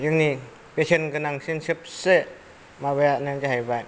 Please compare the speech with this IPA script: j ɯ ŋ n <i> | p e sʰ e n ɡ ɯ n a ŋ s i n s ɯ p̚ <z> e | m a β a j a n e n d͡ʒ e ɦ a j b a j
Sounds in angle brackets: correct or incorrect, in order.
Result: correct, incorrect: s

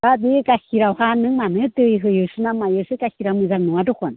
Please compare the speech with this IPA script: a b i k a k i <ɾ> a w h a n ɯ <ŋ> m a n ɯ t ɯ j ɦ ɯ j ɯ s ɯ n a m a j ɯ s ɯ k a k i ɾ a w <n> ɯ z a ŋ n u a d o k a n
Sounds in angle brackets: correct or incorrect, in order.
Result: correct, correct, incorrect: m

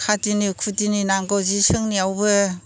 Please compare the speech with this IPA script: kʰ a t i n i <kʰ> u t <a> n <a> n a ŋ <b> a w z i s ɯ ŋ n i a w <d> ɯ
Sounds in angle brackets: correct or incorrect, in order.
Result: correct, incorrect: i, incorrect: i, incorrect: ɡ, incorrect: b

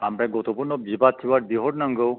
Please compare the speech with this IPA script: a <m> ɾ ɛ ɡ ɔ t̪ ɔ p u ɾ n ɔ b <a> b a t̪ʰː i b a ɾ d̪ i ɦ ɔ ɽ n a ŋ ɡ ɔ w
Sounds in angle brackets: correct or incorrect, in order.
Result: correct, incorrect: i

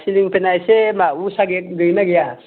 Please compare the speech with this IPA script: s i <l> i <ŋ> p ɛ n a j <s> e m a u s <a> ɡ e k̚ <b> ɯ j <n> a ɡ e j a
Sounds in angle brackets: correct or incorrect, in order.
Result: correct, correct, correct, correct, incorrect: ɡ, correct

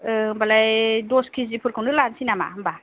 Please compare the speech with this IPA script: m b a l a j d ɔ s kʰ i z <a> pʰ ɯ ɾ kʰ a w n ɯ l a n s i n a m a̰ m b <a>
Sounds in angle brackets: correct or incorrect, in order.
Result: incorrect: i, correct

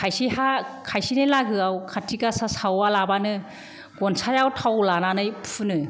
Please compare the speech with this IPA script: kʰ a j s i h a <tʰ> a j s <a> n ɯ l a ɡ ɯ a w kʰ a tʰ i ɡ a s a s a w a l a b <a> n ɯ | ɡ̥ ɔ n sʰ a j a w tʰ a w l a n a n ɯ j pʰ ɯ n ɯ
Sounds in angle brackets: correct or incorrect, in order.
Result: incorrect: kʰ, incorrect: i, correct

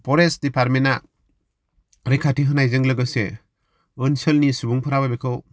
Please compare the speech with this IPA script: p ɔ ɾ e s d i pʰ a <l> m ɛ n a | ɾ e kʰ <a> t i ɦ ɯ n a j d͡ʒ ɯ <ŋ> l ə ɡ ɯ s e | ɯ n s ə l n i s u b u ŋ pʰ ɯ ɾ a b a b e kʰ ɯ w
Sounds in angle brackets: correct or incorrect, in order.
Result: incorrect: ɾ, correct, correct

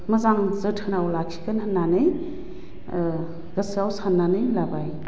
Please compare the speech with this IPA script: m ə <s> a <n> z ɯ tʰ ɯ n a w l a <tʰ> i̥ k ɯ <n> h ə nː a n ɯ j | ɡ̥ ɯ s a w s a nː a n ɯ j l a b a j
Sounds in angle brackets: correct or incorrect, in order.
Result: incorrect: z, incorrect: ŋ, incorrect: kʰ, correct

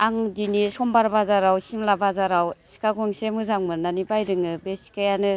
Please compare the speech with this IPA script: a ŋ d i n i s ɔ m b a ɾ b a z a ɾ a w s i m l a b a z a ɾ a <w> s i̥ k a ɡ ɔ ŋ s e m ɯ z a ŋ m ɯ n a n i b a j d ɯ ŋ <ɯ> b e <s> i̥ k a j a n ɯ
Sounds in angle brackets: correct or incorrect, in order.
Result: correct, correct, correct

